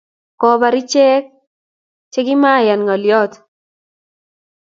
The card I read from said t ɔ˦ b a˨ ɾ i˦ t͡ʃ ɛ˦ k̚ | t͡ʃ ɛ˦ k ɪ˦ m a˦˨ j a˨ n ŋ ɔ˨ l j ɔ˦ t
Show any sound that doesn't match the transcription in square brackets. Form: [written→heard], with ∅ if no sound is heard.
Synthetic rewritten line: [t→k] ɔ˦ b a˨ ɾ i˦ t͡ʃ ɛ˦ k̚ | t͡ʃ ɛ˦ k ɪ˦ m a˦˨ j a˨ n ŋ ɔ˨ l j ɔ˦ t